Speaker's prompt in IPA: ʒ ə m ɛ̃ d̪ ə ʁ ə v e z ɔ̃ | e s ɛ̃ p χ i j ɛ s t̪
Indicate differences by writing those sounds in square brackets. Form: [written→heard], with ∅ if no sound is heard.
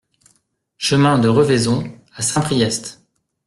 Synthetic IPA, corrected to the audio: [ʒ→ʃ] ə m ɛ̃ d̪ ə ʁ ə v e z ɔ̃ | [e→a] s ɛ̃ p χ i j ɛ s t̪